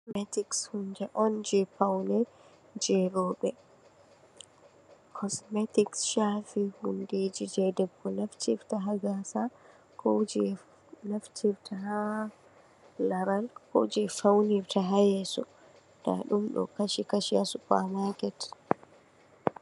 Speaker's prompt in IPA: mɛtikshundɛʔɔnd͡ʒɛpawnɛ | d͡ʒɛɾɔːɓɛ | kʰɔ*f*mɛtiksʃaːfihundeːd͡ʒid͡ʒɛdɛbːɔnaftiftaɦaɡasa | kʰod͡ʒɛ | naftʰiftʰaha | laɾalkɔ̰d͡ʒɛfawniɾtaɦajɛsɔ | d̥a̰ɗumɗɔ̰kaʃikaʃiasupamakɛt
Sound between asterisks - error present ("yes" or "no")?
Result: yes